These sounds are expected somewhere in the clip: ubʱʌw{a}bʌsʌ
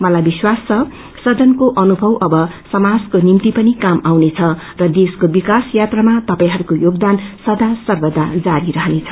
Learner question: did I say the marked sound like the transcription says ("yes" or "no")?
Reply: no